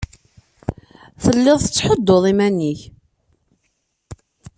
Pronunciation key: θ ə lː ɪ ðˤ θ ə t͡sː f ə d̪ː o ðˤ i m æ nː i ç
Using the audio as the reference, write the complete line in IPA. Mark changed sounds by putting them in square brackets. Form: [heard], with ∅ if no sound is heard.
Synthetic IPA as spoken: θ ə lː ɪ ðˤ θ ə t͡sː [ħ] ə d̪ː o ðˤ i m æ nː i ç